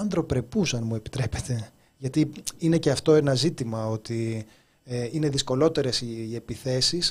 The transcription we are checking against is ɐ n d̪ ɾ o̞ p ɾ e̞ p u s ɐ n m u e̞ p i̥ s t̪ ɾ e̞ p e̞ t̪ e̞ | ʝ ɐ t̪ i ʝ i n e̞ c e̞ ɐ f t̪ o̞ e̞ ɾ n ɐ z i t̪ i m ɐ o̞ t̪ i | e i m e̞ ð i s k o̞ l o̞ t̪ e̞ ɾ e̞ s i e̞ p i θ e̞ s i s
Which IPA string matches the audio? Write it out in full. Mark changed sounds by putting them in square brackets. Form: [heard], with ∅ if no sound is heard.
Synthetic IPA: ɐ n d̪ ɾ o̞ p ɾ e̞ p u s ɐ n m u e̞ p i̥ [∅] t̪ ɾ e̞ p e̞ t̪ e̞ | ʝ ɐ t̪ i [∅] i n e̞ c e̞ ɐ f t̪ o̞ e̞ [∅] n ɐ z i t̪ i m ɐ o̞ t̪ i | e i [n] e̞ ð i s k o̞ l o̞ t̪ e̞ ɾ e̞ s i e̞ p i θ e̞ s i s